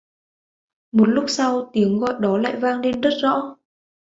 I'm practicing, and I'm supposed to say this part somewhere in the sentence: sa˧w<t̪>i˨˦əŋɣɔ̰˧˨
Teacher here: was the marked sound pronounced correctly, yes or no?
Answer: yes